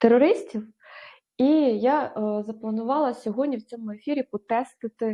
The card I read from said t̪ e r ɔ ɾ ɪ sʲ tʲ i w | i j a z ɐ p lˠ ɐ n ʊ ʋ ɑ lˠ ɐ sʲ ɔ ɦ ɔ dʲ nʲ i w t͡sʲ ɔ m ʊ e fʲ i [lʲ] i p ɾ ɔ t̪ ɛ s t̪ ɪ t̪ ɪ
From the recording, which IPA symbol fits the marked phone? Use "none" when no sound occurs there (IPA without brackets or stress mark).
ɾʲ